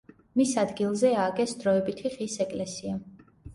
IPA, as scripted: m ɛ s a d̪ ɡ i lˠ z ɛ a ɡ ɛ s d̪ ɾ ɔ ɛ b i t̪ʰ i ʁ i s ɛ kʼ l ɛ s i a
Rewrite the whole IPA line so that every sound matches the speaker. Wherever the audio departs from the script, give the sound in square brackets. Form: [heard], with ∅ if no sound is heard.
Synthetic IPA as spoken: m [i] s a d̪ ɡ i lˠ z ɛ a ɡ ɛ s d̪ ɾ ɔ ɛ b i t̪ʰ i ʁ i s ɛ kʼ l ɛ s i a

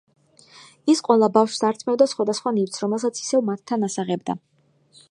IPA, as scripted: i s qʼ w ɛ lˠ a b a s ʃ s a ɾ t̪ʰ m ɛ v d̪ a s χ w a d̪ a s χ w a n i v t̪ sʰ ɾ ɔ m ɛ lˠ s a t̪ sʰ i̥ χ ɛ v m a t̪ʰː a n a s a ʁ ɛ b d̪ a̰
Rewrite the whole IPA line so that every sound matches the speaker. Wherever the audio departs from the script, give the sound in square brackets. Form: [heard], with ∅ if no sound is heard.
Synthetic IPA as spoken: i s qʼ w ɛ lˠ a b a [f] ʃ s a ɾ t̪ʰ m ɛ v d̪ a s χ w a d̪ a s χ w a n i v t̪ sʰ ɾ ɔ m ɛ lˠ s a t̪ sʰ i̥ [s] ɛ v m a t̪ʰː a n a s a ʁ ɛ b d̪ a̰

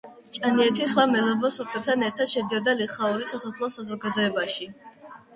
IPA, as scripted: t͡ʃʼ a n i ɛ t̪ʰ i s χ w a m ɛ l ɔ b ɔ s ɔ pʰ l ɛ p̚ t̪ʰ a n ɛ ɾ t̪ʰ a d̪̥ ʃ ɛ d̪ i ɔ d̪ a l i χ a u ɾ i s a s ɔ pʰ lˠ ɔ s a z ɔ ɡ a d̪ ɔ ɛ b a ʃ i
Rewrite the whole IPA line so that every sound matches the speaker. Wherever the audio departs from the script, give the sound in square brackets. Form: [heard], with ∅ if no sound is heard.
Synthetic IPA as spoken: t͡ʃʼ a n i ɛ t̪ʰ i s χ w a m ɛ l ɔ b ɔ s ɔ pʰ l ɛ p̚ t̪ʰ a n ɛ ɾ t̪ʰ a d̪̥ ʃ ɛ d̪ i ɔ d̪ a l i χ a u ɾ i s a s ɔ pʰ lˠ ɔ s a z ɔ ɡ a d̪ ɔ ɛ b a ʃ i

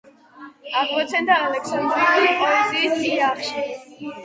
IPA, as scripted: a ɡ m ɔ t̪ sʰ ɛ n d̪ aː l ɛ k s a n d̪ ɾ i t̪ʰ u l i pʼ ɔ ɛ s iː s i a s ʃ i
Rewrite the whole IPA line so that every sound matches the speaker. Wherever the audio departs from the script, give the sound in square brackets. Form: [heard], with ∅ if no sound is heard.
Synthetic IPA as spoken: a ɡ m ɔ t̪ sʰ ɛ n d̪ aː l ɛ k s a n d̪ ɾ i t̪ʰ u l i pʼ ɔ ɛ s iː s i a [χ] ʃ i

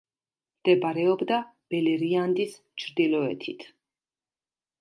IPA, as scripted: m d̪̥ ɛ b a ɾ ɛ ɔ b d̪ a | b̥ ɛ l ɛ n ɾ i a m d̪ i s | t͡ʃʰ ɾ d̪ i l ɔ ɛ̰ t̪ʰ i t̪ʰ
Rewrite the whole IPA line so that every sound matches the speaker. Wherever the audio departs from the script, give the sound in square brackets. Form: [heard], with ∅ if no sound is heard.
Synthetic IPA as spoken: m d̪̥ ɛ b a ɾ ɛ ɔ b d̪ a | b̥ ɛ l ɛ [∅] ɾ i a [n] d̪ i s | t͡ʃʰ ɾ d̪ i l ɔ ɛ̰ t̪ʰ i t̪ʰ

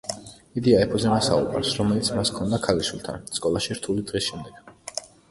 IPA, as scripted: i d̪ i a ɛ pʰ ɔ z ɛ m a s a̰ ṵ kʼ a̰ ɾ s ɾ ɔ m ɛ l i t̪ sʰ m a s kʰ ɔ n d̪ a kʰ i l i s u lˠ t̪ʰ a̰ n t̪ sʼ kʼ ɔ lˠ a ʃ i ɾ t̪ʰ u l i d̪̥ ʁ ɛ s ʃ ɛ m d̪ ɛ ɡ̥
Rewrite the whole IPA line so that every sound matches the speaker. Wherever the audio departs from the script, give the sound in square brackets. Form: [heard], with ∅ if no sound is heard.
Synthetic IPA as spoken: i d̪ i a ɛ pʰ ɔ z ɛ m a s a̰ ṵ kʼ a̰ ɾ s ɾ ɔ m ɛ l i t̪ sʰ m a s kʰ ɔ n d̪ a kʰ [a] l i [ʃ] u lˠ t̪ʰ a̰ n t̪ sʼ kʼ ɔ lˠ a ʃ i ɾ t̪ʰ u l i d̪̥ ʁ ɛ s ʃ ɛ m d̪ ɛ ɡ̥

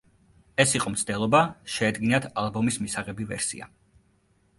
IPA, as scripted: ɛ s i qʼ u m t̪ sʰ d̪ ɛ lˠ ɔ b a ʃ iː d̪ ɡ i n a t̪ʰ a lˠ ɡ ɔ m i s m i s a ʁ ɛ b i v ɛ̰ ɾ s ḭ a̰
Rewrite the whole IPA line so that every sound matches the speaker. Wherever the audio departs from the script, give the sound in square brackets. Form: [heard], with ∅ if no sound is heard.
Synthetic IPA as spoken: ɛ s i qʼ [ɔ] m t̪ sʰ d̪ ɛ lˠ ɔ b a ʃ [ɛː] d̪ ɡ i n a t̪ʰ a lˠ [b] ɔ m i s m i s a ʁ ɛ b i v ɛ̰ ɾ s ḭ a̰

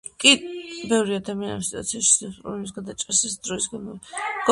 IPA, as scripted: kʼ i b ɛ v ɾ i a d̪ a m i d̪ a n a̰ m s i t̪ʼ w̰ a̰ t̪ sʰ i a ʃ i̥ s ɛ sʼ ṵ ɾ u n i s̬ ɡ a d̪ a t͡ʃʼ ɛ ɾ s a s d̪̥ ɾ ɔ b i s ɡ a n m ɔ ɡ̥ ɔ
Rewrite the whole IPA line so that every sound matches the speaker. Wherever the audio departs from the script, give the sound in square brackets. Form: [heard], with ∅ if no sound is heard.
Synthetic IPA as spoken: kʼ i b ɛ v ɾ i a d̪ a m i [∅] a n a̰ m s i t̪ʼ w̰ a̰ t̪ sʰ i a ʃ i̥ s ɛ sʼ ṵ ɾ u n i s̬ ɡ a d̪ a t͡ʃʼ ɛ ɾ s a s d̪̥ ɾ ɔ [∅] i s ɡ a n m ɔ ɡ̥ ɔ

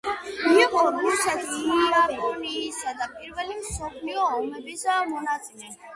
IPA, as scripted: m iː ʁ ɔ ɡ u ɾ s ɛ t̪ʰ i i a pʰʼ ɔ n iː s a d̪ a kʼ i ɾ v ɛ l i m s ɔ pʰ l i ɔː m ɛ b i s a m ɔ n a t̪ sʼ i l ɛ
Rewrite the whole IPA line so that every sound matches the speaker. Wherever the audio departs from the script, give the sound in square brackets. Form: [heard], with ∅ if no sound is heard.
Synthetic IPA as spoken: m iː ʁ ɔ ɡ u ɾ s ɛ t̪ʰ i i a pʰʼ ɔ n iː s a d̪ a [pʼ] i ɾ v ɛ l i m s ɔ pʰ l i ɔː m ɛ b i s a m ɔ n a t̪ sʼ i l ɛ

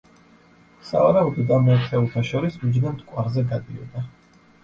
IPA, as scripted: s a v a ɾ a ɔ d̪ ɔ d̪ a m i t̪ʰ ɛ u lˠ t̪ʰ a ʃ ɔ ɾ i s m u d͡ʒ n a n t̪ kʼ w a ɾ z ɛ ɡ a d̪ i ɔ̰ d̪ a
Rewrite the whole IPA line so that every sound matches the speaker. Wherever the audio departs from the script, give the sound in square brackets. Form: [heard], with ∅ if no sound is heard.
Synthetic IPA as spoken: s a v a ɾ a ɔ d̪ ɔ d̪ a m [ɛ] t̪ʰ ɛ u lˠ t̪ʰ a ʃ ɔ ɾ i s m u d͡ʒ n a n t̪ kʼ w a ɾ z ɛ ɡ a d̪ i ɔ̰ d̪ a

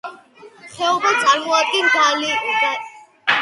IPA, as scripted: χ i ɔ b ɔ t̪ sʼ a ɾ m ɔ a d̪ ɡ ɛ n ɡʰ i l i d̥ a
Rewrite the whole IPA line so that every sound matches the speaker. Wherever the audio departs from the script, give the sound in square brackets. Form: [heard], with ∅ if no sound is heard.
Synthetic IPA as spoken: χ [ɛ] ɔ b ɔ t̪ sʼ a ɾ m ɔ a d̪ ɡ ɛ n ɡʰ [a] l i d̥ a

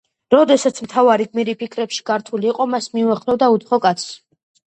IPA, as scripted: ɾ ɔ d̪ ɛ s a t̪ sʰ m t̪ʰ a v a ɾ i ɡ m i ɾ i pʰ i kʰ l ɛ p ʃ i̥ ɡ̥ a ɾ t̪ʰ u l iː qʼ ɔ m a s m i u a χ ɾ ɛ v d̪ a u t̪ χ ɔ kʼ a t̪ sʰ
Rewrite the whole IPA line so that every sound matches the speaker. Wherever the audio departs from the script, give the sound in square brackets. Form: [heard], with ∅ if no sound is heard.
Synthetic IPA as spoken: ɾ ɔ d̪ ɛ s a t̪ sʰ m t̪ʰ a v a ɾ i ɡ m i ɾ i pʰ i kʰ [ɾ] ɛ p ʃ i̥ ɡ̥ a ɾ t̪ʰ u l iː qʼ ɔ m a s m i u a χ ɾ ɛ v d̪ a u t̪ χ ɔ kʼ a t̪ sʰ

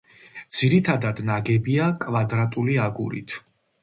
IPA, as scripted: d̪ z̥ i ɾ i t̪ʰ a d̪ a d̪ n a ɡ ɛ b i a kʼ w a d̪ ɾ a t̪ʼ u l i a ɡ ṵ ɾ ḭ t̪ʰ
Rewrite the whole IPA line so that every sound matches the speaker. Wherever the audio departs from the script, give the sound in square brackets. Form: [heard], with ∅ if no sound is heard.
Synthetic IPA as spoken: d̪ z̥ i ɾ i t̪ʰ a d̪ a d̪ n a ɡ ɛ b i a kʼ [v] a d̪ ɾ a t̪ʼ u l i a ɡ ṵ ɾ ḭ t̪ʰ

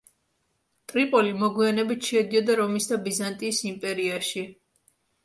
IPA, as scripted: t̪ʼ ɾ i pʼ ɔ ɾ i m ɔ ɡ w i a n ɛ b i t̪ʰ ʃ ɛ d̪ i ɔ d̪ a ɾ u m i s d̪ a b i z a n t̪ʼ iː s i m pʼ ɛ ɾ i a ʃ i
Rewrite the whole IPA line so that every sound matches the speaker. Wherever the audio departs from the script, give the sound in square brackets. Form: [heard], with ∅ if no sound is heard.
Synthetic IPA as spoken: t̪ʼ ɾ i pʼ ɔ [l] i m ɔ ɡ w i a n ɛ b i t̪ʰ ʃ ɛ d̪ i ɔ d̪ a ɾ [ɔ] m i s d̪ a b i z a n t̪ʼ iː s i m pʼ ɛ ɾ i a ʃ i

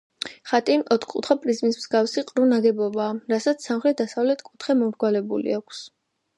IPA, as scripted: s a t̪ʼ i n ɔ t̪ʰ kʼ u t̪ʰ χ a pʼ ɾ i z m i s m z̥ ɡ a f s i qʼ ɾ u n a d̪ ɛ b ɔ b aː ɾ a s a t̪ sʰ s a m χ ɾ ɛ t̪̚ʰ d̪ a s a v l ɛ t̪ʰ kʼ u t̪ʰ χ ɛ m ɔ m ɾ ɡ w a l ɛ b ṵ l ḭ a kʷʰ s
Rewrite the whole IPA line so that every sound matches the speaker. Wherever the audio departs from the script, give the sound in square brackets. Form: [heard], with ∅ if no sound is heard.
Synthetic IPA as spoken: [χ] a t̪ʼ i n ɔ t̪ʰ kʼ u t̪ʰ χ a pʼ ɾ i z m i s m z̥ ɡ a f s i qʼ ɾ u n a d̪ ɛ b ɔ b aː ɾ a s a t̪ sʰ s a m χ ɾ ɛ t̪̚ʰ d̪ a s a v l ɛ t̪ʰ kʼ u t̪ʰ χ ɛ m ɔ m ɾ ɡ w a l ɛ b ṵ l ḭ a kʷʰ s

